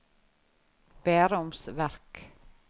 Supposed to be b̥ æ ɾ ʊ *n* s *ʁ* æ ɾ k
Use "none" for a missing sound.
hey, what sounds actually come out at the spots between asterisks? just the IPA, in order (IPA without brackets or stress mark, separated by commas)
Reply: m, v